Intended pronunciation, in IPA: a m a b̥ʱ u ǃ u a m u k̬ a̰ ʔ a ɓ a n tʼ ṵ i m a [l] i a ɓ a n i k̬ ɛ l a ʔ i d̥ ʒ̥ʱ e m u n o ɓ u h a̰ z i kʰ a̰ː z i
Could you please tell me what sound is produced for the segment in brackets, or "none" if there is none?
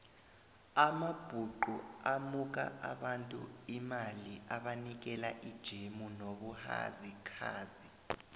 l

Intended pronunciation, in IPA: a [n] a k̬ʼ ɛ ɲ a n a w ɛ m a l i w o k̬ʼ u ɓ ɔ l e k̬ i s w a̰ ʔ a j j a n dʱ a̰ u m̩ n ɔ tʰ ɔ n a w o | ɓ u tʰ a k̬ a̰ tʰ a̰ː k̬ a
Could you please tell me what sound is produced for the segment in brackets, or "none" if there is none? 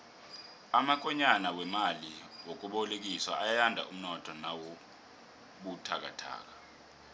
m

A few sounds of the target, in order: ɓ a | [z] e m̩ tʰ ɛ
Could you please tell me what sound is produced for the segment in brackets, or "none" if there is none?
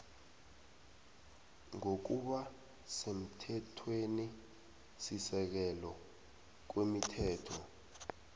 s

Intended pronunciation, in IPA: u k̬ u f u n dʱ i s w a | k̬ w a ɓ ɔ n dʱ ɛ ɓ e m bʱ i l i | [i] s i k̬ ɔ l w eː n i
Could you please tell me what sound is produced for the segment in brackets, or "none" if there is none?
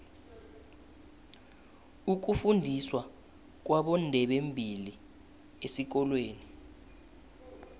e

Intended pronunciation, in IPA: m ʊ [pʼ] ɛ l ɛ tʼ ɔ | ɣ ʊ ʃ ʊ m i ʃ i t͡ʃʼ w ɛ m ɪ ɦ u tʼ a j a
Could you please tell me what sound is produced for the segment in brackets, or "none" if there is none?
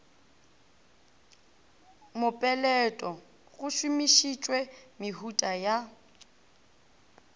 pʼ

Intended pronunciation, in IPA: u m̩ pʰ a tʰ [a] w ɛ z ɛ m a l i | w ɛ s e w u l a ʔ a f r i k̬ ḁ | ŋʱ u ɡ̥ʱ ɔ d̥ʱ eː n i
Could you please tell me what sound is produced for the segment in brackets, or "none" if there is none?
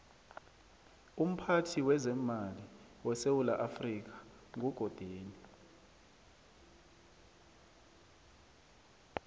i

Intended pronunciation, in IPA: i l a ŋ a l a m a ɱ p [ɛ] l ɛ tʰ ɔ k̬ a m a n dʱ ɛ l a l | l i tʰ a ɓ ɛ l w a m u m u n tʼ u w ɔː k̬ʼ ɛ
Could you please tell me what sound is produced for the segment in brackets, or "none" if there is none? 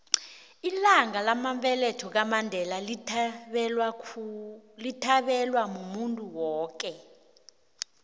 ɛ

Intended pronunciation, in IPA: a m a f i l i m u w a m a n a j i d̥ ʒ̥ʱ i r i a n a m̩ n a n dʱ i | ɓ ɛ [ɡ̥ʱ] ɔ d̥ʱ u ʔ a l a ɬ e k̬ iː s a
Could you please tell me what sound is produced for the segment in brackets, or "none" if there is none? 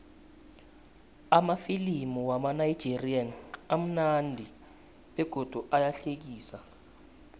ɡ̥ʱ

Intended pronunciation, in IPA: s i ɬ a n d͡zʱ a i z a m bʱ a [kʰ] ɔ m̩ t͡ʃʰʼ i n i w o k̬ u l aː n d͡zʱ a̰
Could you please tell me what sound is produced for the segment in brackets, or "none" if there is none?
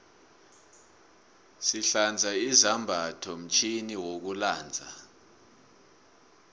tʰ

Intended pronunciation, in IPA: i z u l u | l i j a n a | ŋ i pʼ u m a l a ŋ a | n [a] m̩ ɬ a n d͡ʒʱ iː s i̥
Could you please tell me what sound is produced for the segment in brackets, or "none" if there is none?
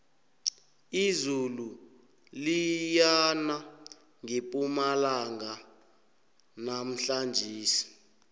a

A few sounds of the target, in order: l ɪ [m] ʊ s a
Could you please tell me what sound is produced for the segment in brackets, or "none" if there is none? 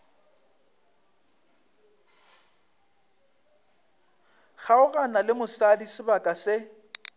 m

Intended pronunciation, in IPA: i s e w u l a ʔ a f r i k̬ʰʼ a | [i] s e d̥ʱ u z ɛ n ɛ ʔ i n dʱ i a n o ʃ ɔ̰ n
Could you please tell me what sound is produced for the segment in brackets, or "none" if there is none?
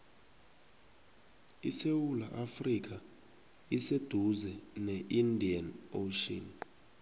i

